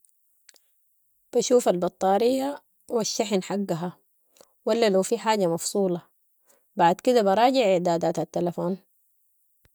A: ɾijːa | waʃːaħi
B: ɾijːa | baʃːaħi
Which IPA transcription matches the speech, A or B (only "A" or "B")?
A